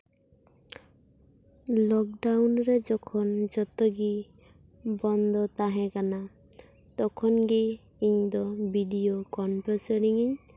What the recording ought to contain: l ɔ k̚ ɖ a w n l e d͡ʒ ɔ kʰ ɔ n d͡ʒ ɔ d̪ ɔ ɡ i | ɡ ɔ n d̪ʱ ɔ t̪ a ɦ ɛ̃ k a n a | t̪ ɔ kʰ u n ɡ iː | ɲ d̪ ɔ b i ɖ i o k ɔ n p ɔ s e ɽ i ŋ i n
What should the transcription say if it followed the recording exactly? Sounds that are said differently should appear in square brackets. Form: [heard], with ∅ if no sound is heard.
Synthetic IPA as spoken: l ɔ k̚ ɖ a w n [ɾ] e d͡ʒ ɔ kʰ ɔ n d͡ʒ ɔ [t̪] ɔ ɡ i | [b] ɔ n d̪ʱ ɔ t̪ a ɦ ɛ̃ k a n a | t̪ ɔ kʰ [ɔ] n ɡ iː | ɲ d̪ ɔ b i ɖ i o k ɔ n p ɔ s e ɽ i ŋ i [ɲ]